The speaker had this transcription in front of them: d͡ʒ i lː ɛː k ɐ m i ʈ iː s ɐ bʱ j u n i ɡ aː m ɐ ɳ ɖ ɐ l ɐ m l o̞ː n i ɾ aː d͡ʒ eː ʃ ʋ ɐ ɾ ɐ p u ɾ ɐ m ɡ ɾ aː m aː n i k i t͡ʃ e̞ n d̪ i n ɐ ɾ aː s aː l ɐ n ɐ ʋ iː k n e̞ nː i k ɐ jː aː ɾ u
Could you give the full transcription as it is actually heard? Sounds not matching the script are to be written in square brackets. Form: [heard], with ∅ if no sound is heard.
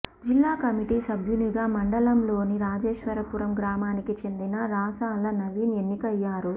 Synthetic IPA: d͡ʒ i lː [aː] k ɐ m i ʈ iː s ɐ bʱ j u n i ɡ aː m ɐ ɳ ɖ ɐ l ɐ m l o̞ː n i ɾ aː d͡ʒ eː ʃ ʋ ɐ ɾ ɐ p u ɾ ɐ m ɡ ɾ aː m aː n i k i t͡ʃ e̞ n d̪ i n ɐ ɾ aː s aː l ɐ n ɐ ʋ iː [∅] n e̞ nː i k ɐ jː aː ɾ u